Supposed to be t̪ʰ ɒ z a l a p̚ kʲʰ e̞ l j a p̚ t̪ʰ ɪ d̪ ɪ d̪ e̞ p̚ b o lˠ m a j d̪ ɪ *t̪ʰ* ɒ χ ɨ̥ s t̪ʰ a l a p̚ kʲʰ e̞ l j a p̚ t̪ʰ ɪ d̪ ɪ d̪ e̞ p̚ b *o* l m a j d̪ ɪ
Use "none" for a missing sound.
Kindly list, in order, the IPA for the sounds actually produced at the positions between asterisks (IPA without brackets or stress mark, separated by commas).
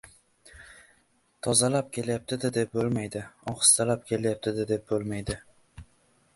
none, o